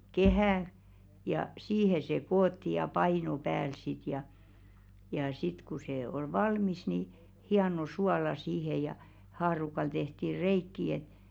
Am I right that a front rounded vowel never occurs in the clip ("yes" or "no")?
yes